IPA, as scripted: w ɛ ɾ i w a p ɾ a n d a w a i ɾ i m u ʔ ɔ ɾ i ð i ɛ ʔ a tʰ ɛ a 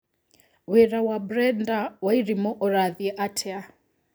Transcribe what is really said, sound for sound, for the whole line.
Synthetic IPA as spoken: w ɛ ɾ a w a b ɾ ɛ n d a w a i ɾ i m ɔ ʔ ɔ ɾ a ð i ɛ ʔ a tʰ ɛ a